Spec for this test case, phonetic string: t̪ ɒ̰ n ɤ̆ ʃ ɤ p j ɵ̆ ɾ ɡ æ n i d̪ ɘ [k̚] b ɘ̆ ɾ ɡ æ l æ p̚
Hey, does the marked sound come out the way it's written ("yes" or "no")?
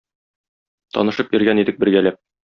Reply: yes